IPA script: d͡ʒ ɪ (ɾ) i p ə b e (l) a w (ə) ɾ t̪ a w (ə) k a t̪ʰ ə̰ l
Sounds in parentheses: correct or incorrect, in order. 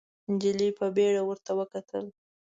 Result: incorrect, incorrect, correct, correct

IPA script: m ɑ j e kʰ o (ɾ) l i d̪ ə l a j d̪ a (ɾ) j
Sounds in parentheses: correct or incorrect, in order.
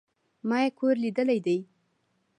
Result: correct, incorrect

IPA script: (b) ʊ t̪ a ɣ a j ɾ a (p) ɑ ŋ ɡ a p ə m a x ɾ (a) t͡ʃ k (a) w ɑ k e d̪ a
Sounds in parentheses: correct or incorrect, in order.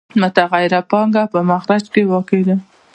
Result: incorrect, correct, correct, incorrect

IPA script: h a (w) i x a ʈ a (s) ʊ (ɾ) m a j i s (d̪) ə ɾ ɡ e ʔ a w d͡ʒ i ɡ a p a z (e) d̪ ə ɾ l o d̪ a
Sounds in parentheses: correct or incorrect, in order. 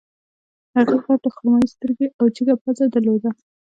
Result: incorrect, incorrect, correct, incorrect, incorrect

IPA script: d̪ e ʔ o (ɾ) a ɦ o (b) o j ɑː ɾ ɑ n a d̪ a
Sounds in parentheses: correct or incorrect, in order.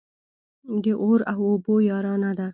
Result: correct, correct

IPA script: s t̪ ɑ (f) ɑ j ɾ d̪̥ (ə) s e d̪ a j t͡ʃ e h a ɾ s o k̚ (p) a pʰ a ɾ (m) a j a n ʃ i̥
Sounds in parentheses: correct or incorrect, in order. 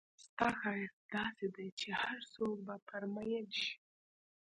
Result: incorrect, incorrect, incorrect, correct

